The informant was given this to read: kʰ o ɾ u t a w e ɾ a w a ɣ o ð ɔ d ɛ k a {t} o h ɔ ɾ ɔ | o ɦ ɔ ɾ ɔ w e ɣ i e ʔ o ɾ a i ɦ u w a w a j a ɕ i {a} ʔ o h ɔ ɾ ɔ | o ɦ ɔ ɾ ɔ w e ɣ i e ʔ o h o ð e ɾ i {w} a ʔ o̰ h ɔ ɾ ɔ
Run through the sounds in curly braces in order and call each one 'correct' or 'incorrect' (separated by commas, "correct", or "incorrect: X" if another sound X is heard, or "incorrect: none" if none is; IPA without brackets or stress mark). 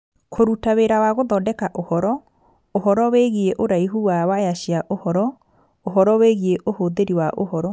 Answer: incorrect: ʔ, correct, correct